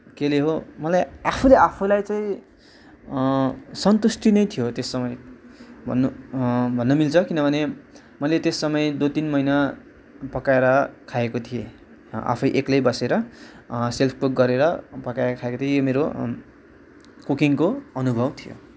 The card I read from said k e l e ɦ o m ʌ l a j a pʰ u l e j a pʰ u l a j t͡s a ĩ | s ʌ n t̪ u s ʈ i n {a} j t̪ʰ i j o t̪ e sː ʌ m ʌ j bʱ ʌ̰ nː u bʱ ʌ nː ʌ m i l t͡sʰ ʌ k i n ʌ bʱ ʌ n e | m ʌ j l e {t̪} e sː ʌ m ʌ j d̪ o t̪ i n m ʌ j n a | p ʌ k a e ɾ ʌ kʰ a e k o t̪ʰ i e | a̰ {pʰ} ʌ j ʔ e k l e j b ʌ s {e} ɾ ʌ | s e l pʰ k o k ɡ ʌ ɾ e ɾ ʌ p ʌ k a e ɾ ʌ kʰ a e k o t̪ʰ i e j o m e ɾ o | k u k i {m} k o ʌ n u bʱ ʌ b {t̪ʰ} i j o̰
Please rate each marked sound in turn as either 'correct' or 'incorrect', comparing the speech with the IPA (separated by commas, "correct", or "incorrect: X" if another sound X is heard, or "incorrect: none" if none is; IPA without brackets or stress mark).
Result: incorrect: ʌ, correct, correct, correct, incorrect: ŋ, correct